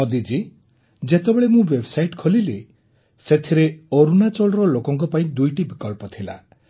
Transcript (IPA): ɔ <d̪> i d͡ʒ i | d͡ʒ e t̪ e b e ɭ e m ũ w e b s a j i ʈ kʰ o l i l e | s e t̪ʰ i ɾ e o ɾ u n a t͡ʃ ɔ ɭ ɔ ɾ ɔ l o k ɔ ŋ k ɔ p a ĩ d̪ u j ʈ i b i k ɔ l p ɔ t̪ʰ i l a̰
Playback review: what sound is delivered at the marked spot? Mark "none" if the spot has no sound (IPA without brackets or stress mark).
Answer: d̪